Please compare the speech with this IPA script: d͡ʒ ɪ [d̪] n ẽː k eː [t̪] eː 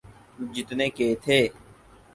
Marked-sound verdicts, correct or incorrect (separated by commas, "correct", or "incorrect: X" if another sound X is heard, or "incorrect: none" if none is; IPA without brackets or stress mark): incorrect: t̪, incorrect: t̪ʰ